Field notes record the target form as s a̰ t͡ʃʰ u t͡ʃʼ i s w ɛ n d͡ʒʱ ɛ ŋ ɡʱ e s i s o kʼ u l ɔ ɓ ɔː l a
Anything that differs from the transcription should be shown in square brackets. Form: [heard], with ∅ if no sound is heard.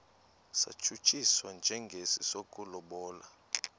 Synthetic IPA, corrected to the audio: s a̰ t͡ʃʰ u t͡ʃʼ i s w [a] n d͡ʒʱ ɛ ŋ ɡʱ e s i s o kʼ u l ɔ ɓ ɔː l a